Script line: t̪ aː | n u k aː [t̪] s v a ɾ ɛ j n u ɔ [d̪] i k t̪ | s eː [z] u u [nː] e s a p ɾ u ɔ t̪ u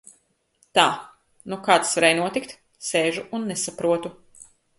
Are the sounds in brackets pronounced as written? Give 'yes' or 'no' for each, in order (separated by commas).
yes, no, no, yes